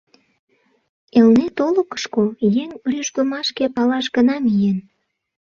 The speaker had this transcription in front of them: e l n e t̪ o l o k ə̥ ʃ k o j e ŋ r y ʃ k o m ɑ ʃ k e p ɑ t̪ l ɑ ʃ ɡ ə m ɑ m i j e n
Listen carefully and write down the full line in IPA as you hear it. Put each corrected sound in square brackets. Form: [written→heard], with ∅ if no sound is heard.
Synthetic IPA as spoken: e l n e t̪ o l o k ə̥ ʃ k o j e ŋ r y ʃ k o m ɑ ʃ k e p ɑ [t̪→∅] l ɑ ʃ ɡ ə [m→n] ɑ m i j e n